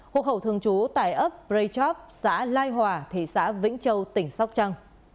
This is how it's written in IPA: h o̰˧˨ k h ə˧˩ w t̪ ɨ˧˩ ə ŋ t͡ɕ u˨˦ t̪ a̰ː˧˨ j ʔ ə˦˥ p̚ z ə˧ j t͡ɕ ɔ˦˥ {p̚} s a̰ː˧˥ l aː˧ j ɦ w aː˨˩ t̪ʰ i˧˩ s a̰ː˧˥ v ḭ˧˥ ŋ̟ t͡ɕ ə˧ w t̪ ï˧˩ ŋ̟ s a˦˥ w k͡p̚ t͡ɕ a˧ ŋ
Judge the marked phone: correct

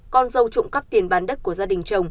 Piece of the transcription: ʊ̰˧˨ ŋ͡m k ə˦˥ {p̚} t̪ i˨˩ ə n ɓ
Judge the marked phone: correct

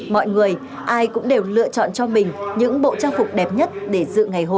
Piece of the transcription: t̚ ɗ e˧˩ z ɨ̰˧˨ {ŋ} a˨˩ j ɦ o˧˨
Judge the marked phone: correct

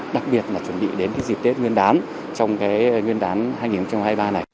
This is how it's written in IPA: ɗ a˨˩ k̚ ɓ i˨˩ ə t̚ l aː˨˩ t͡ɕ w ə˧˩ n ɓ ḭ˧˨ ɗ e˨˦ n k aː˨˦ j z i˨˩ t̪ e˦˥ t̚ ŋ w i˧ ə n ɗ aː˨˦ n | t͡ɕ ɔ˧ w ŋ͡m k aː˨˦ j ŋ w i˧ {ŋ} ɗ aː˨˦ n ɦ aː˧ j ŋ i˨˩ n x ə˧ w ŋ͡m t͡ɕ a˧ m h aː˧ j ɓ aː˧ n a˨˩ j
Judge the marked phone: incorrect: n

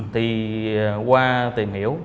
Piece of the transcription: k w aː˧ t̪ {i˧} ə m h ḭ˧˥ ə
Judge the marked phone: incorrect: i˨˩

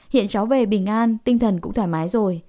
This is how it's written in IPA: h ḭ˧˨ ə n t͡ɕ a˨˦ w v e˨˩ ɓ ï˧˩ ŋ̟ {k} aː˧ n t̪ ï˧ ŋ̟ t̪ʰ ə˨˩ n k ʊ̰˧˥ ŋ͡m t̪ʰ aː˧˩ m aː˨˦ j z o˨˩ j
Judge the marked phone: incorrect: ʔ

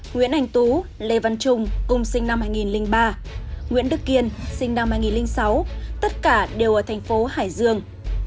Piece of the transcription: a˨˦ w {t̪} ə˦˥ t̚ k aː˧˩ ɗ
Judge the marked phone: correct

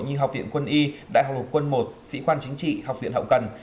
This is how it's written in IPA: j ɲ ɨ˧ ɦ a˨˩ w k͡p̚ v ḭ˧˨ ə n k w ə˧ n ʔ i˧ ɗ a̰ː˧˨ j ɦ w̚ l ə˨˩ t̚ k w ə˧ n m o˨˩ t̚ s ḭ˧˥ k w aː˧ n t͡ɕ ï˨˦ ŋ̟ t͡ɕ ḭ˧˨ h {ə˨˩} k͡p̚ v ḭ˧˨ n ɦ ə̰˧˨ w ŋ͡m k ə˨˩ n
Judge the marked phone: incorrect: a˨˩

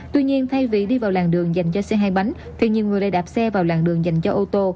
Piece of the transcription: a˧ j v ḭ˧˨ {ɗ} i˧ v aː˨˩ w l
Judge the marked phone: correct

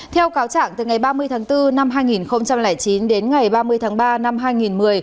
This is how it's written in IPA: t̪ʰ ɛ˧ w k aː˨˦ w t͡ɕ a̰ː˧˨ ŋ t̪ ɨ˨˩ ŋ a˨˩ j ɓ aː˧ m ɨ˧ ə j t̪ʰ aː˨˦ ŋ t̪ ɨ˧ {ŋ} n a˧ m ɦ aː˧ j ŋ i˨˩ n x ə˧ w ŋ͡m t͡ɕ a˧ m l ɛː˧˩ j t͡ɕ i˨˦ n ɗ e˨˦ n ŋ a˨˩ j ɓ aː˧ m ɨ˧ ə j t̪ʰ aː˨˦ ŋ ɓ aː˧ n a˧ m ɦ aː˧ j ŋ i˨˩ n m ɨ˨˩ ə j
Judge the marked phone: incorrect: none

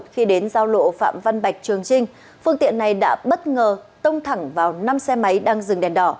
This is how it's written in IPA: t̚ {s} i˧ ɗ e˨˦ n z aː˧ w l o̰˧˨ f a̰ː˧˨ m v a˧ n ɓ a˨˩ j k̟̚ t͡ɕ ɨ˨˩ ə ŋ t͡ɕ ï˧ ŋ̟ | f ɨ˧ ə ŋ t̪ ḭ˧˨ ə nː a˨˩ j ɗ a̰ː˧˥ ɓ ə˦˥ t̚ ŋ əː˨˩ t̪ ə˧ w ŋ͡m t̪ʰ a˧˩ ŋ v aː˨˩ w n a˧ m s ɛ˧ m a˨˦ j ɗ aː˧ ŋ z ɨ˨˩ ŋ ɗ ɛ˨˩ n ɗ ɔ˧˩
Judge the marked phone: incorrect: x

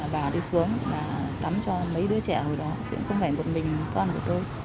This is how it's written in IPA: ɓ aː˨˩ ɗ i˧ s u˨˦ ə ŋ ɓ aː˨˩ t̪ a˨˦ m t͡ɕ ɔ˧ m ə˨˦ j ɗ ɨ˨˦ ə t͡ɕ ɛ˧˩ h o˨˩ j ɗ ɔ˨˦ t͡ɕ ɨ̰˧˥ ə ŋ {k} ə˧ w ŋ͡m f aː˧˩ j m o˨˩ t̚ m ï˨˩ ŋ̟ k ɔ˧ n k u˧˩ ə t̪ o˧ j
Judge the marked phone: incorrect: x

